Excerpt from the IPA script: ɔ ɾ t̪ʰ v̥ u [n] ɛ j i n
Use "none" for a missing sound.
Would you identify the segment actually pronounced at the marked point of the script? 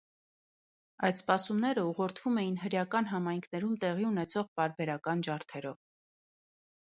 m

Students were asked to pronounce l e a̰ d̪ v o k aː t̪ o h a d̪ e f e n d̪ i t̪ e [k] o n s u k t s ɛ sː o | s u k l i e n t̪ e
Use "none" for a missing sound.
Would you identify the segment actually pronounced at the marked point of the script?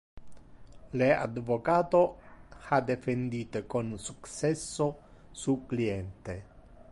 k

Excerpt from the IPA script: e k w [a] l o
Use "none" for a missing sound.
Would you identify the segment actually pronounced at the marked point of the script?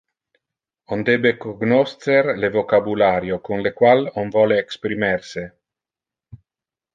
a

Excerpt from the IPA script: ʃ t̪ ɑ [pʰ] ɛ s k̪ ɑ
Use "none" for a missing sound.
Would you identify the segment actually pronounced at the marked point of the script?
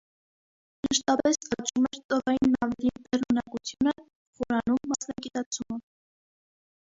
p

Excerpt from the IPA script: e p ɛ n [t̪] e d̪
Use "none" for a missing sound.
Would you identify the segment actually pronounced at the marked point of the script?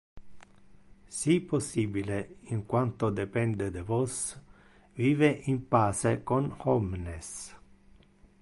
d̪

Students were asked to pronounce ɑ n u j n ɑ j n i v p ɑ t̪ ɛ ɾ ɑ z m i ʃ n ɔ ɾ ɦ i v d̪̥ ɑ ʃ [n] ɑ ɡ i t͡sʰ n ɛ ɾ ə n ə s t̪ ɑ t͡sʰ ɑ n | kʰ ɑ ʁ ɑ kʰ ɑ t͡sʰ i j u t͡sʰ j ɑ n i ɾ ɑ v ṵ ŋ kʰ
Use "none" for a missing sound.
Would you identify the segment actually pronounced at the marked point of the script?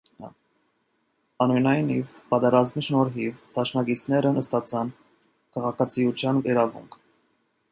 n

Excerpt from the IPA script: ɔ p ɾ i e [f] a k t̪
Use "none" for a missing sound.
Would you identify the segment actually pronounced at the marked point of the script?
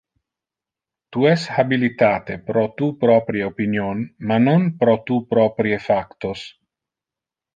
f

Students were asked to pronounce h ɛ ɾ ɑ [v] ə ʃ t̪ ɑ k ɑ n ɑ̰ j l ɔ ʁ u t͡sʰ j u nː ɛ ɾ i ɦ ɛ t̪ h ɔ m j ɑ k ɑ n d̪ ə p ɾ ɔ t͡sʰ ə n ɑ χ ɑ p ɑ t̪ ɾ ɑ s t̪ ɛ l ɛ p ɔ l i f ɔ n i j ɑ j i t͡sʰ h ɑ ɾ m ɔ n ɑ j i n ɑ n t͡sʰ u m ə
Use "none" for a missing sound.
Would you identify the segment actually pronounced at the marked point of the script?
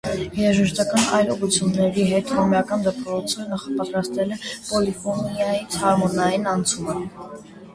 ʒ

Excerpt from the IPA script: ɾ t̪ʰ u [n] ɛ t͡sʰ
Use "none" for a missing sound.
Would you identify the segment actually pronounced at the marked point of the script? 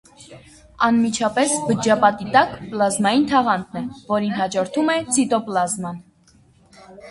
m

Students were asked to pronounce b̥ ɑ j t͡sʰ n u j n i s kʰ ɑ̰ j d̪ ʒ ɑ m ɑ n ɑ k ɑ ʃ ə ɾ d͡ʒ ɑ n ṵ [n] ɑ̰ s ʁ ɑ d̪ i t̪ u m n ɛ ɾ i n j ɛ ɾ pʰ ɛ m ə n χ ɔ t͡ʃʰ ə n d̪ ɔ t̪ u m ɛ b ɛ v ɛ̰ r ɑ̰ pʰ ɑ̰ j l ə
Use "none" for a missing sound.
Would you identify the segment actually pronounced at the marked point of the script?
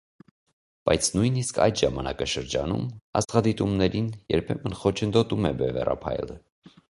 m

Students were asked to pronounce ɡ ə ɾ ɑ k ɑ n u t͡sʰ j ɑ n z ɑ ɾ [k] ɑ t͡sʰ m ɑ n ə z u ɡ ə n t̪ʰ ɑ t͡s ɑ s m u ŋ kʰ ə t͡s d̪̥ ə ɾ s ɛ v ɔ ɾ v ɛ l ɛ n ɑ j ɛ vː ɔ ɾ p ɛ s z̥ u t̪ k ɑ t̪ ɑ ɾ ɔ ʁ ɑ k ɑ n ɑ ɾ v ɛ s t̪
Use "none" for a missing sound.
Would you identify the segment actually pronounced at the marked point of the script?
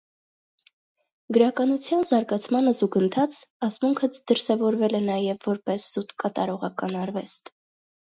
ɡ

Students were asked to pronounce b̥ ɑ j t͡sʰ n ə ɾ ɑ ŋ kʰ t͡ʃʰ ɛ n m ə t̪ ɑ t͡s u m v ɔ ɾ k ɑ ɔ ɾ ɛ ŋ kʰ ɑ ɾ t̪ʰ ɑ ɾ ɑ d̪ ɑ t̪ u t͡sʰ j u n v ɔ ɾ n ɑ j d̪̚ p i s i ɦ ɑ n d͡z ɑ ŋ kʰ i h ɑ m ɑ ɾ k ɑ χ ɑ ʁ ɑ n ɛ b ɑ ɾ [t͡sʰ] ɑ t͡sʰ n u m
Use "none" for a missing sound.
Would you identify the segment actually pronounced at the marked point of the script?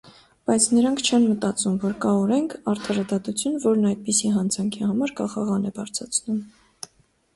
t͡sʰ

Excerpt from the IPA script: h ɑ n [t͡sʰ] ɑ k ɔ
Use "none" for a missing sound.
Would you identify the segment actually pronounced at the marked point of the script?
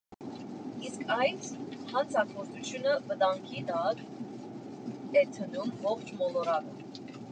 t͡sʰ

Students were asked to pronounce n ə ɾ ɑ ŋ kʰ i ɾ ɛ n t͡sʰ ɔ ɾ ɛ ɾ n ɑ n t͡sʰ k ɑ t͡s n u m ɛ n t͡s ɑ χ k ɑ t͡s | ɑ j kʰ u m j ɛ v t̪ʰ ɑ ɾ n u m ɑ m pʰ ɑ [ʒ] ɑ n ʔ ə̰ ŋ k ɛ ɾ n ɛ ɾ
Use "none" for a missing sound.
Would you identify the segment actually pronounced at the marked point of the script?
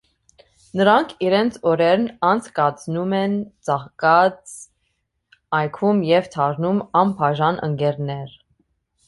ʒ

